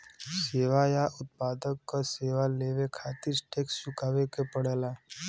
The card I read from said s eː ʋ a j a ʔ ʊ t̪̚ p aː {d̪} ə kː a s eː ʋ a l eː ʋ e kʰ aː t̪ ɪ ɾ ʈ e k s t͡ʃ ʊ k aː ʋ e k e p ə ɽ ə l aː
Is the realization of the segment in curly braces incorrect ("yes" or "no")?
no